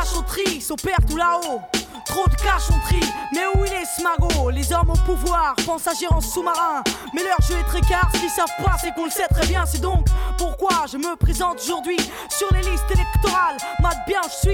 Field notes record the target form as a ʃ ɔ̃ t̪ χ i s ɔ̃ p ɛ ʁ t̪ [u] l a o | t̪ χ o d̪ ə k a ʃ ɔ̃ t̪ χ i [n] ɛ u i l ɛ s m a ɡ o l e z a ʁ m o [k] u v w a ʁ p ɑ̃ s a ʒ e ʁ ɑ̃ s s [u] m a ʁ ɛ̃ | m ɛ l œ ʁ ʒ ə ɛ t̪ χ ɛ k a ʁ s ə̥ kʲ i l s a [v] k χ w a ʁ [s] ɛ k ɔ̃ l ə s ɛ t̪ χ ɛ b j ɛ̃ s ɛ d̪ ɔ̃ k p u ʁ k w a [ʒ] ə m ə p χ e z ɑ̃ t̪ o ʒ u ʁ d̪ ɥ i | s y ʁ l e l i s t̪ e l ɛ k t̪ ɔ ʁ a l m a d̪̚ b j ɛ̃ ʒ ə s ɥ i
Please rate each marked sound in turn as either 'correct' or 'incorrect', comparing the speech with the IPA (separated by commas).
correct, incorrect, incorrect, correct, correct, correct, correct